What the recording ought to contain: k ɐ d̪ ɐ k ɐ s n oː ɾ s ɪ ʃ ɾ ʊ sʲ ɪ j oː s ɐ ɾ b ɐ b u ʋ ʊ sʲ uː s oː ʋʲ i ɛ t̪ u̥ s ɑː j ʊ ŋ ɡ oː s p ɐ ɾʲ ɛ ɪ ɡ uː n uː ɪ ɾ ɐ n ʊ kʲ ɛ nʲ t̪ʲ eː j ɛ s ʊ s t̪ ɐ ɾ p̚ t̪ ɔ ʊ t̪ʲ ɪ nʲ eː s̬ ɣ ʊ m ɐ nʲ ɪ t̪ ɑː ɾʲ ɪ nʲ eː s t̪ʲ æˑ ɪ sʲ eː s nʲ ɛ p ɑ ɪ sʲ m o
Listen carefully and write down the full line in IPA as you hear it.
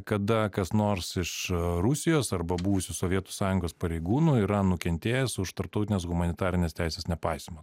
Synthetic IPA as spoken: k ɐ d̪ ɐ k ɐ s n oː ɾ s ɪ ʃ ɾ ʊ sʲ ɪ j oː s ɐ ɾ b ɐ b u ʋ ʊ sʲ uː s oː ʋʲ i ɛ t̪ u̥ s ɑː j ʊ ŋ ɡ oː s p ɐ ɾʲ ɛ ɪ ɡ uː n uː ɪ ɾ ɐ n ʊ kʲ ɛ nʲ t̪ʲ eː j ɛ s ʊ ʃ t̪ ɐ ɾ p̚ t̪ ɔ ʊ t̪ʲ ɪ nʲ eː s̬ ɣ ʊ m ɐ nʲ ɪ t̪ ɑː ɾʲ ɪ nʲ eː s t̪ʲ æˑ ɪ sʲ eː s nʲ ɛ p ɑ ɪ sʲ m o

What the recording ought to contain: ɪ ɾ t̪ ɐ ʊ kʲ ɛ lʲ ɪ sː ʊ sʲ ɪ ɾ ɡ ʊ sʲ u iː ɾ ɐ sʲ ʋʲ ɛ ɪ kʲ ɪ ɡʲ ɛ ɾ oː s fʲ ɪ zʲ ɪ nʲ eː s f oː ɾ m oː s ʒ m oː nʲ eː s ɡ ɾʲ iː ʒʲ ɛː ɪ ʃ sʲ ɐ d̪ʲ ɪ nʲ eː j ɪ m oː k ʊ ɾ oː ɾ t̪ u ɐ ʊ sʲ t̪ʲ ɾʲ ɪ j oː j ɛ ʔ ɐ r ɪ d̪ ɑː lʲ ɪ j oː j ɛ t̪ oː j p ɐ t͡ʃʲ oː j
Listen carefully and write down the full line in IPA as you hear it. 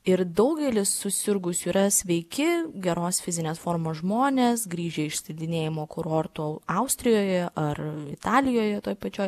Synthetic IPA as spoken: ɪ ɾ d̪ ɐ ʊ ɡʲ ɛ lʲ ɪ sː ʊ sʲ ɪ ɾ ɡ ʊ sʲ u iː ɾ ɐ sʲ ʋʲ ɛ ɪ kʲ ɪ ɡʲ ɛ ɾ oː s fʲ ɪ zʲ ɪ nʲ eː s f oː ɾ m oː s ʒ m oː nʲ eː s ɡ ɾʲ iː ʒʲ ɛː ɪ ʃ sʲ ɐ d̪ʲ ɪ nʲ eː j ɪ m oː k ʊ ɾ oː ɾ t̪ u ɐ ʊ sʲ t̪ʲ ɾʲ ɪ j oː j ɛ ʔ ɐ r ɪ t̪ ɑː lʲ ɪ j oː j ɛ t̪ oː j p ɐ t͡ʃʲ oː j

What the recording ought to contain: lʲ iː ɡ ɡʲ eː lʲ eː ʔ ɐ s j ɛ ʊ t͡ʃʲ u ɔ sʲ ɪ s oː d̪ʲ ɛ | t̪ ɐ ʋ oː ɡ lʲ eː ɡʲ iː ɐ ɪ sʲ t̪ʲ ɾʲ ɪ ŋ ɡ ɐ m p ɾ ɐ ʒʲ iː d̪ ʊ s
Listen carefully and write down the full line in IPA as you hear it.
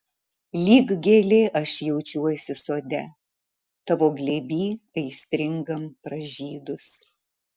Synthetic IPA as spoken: lʲ iː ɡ ɡʲ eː lʲ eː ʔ ɐ ʃ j ɛ ʊ t͡ʃʲ u ɔ sʲ ɪ s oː d̪ʲ ɛ | t̪ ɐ ʋ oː ɡ lʲ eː bʲ iː ɐ ɪ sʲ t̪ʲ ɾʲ ɪ ŋ ɡ ɐ m p ɾ ɐ ʒʲ iː d̪ ʊ s

